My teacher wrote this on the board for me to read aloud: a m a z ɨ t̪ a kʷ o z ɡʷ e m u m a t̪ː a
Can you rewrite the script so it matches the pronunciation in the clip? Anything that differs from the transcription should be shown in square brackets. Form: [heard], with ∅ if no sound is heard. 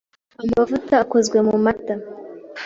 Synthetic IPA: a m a [v] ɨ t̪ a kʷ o z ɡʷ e m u m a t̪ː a